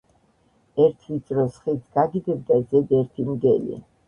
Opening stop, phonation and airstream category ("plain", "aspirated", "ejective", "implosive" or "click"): aspirated